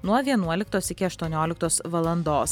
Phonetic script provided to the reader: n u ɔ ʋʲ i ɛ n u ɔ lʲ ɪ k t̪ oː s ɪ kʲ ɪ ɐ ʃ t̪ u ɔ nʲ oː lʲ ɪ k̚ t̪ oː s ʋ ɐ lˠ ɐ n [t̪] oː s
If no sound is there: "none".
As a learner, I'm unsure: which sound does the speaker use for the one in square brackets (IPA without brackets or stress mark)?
d̪